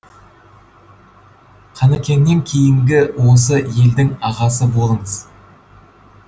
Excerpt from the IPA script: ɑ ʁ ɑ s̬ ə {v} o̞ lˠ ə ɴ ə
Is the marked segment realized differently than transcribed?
yes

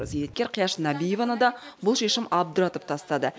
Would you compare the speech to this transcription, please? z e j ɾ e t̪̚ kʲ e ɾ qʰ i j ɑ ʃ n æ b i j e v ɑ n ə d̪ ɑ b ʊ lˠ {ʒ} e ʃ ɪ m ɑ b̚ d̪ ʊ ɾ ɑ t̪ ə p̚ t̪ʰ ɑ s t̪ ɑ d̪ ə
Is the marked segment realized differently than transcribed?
yes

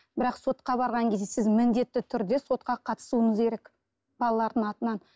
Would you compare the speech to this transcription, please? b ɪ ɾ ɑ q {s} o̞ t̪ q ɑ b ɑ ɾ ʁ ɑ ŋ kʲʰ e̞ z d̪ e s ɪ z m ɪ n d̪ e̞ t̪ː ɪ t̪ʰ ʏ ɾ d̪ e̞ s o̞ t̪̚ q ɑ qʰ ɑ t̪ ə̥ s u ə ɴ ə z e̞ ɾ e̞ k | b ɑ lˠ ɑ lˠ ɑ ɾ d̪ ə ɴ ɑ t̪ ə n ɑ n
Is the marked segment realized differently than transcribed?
no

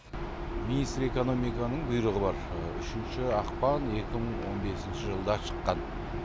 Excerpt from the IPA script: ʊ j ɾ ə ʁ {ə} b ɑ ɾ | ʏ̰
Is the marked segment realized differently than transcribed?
no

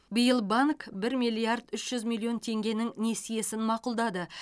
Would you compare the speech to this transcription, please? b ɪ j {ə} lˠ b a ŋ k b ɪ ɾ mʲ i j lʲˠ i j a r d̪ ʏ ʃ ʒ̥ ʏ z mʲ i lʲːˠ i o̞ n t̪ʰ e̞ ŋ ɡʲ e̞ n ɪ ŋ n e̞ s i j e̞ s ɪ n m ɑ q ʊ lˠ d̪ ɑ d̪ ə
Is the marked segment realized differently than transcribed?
no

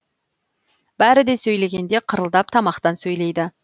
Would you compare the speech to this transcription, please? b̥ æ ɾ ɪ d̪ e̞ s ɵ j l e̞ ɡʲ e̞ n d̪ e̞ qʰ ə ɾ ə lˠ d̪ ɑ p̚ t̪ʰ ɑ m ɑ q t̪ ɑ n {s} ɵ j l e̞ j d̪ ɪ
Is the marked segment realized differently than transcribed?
no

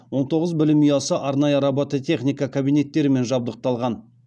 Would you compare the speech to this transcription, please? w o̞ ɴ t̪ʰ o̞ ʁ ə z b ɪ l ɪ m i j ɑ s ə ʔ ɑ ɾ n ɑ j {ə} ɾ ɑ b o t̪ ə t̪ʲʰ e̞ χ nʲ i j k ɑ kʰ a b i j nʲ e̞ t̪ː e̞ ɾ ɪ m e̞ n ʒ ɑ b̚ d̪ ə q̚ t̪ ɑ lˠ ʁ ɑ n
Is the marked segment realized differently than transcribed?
no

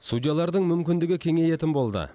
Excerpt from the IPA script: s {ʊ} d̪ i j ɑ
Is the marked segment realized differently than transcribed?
yes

